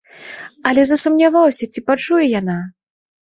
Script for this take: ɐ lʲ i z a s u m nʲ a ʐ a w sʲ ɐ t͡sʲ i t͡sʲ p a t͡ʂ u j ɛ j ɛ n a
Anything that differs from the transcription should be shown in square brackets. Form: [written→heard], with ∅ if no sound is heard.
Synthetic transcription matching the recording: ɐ lʲ [i→ɛ] z [a→ɐ] s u m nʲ a [ʐ→v] a w sʲ ɐ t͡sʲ i [t͡sʲ→∅] p a t͡ʂ u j ɛ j [ɛ→a] n a